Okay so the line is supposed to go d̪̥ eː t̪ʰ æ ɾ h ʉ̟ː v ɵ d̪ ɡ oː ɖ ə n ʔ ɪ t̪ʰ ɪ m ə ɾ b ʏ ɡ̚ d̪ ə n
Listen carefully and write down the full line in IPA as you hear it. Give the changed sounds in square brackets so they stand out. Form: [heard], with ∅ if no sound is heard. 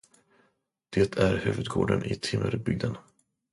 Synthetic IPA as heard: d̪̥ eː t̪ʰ æ ɾ h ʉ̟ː v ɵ d̪ ɡ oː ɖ ə n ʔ ɪ t̪ʰ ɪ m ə ɾ b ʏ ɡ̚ d̪ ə n